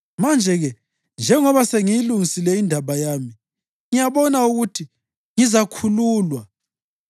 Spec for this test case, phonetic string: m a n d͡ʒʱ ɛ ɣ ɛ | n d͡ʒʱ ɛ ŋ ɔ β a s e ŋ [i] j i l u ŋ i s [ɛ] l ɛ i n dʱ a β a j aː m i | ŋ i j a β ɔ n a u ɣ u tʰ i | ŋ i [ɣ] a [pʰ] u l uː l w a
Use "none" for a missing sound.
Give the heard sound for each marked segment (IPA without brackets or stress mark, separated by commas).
i, i, z, kʰ